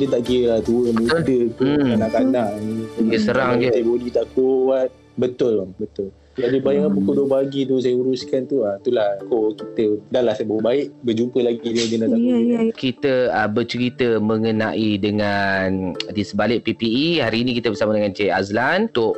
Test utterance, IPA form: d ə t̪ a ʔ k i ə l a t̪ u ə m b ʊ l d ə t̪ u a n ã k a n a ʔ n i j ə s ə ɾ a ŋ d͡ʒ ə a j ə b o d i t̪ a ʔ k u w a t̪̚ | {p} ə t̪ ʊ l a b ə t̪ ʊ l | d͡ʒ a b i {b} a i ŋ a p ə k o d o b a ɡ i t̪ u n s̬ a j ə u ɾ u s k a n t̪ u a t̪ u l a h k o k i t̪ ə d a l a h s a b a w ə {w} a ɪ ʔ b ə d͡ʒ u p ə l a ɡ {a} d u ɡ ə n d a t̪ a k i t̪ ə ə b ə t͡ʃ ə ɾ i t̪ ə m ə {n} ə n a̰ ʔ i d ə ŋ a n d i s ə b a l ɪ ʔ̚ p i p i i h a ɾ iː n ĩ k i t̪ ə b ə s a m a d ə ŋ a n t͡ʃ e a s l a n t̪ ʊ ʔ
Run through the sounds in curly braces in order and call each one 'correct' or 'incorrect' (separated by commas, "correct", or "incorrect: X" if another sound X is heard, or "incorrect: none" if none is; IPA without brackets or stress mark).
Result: incorrect: b, correct, incorrect: b, incorrect: i, incorrect: ŋ